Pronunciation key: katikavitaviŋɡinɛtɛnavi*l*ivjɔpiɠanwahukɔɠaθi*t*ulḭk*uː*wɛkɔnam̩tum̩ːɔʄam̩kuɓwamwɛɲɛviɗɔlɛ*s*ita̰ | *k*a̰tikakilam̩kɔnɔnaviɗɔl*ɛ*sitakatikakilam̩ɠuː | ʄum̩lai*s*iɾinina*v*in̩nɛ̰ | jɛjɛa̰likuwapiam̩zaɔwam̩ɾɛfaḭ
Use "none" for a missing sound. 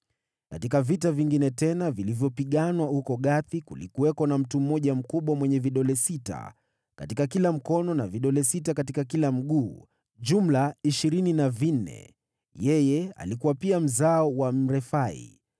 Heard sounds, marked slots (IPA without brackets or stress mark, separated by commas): l, k, u, s, k, ɛ, ʃ, v